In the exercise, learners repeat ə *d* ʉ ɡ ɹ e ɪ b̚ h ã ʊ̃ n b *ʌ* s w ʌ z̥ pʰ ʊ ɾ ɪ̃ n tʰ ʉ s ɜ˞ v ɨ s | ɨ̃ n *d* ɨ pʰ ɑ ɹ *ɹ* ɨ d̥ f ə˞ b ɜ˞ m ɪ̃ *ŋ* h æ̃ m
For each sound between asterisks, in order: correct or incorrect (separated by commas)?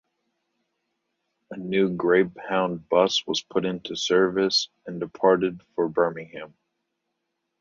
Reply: incorrect, correct, correct, incorrect, correct